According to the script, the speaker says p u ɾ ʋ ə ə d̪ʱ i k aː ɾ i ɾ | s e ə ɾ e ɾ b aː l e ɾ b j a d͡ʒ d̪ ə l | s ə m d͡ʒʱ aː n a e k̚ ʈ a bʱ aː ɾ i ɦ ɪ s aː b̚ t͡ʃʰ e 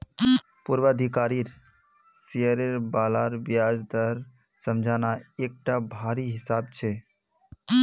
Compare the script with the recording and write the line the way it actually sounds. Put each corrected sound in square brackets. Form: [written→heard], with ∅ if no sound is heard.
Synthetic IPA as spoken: p u ɾ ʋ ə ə d̪ʱ i k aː ɾ i ɾ | s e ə ɾ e ɾ b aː l [e→a] ɾ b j a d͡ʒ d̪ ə [l→ɾ] | s ə m d͡ʒʱ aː n a e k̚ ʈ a bʱ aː ɾ i ɦ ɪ s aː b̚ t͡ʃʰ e